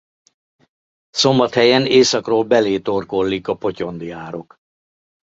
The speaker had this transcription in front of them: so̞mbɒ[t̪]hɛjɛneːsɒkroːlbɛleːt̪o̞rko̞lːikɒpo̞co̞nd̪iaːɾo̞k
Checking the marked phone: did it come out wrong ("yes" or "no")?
no